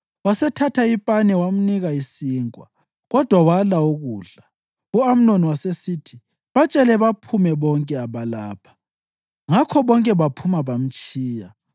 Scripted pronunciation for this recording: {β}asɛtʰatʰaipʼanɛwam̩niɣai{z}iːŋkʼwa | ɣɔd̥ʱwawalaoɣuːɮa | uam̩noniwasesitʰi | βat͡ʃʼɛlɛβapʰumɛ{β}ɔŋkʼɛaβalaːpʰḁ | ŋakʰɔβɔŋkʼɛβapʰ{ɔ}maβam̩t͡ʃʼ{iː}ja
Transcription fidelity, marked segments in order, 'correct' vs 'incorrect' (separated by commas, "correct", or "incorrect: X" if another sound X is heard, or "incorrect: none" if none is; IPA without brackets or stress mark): incorrect: w, incorrect: s, correct, incorrect: u, correct